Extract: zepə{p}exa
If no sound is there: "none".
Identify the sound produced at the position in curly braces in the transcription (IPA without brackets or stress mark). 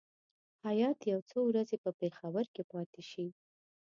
p